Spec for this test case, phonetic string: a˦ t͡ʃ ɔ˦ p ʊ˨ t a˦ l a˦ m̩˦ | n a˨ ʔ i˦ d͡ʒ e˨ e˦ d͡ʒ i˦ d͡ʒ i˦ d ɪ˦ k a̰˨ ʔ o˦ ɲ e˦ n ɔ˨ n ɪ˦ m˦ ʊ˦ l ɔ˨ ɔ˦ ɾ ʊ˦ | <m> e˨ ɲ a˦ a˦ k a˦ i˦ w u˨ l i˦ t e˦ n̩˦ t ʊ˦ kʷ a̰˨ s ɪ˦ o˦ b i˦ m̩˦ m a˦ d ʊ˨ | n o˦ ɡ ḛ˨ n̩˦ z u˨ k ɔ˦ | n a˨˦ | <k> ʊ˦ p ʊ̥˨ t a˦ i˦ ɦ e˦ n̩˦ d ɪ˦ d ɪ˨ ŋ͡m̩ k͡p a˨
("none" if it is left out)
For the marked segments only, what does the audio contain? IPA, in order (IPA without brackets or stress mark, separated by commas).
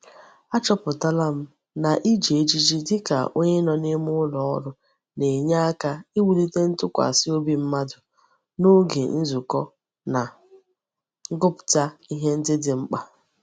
n, ɡ